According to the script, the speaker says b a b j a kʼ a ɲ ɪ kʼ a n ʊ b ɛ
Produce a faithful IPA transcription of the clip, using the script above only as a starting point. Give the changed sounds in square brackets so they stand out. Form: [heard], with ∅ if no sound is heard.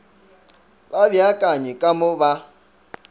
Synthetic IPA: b a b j a kʼ a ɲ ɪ kʼ a [m] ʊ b [a]